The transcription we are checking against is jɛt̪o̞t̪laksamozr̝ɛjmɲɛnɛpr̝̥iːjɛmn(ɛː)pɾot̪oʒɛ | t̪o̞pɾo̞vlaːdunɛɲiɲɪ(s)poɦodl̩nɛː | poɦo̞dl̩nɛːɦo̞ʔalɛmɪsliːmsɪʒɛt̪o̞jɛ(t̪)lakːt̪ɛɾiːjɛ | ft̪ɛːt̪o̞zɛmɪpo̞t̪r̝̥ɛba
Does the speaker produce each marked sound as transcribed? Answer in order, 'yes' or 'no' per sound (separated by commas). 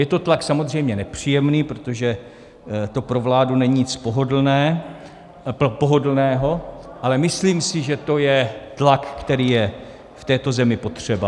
no, no, yes